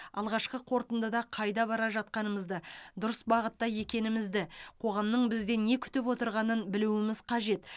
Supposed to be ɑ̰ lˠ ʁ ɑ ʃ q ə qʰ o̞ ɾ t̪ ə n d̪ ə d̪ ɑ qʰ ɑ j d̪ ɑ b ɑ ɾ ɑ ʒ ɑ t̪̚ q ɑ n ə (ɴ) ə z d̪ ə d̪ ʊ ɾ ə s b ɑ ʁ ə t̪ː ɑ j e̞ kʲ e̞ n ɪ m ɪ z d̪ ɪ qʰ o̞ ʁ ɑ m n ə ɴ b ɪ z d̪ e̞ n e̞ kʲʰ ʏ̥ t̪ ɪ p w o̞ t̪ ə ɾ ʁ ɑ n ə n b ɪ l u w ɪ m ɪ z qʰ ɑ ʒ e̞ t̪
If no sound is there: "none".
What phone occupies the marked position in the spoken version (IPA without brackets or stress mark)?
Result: m